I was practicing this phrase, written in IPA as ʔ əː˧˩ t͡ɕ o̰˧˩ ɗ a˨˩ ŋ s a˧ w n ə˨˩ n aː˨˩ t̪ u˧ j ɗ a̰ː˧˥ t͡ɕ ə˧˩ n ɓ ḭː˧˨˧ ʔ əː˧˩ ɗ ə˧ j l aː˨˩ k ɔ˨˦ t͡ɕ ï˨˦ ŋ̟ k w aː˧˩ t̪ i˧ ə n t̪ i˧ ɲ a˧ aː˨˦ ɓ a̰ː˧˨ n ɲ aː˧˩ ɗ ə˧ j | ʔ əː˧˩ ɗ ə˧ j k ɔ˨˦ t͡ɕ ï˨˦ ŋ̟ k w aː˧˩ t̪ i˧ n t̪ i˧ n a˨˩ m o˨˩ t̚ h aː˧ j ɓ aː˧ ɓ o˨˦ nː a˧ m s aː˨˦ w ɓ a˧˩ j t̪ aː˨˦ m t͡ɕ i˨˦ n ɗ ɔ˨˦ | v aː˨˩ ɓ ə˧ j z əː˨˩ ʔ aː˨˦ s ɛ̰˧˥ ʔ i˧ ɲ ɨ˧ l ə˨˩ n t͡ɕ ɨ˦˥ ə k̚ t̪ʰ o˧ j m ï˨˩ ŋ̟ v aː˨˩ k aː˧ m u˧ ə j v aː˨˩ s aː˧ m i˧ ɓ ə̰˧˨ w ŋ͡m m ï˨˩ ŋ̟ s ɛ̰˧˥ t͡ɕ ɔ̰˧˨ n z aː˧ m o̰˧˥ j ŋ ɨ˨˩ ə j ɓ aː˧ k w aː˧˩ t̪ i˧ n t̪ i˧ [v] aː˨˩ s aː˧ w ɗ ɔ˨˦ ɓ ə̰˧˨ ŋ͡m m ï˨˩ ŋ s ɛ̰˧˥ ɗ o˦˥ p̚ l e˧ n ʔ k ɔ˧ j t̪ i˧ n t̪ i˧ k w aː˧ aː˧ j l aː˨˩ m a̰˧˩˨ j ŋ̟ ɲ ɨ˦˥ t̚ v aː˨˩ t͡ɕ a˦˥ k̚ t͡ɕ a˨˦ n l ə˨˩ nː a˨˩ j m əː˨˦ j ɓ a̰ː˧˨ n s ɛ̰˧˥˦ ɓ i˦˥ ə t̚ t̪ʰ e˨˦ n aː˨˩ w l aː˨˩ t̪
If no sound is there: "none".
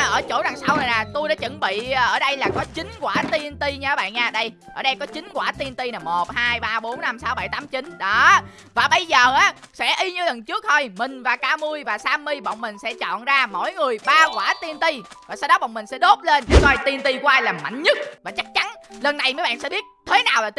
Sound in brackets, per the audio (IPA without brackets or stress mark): v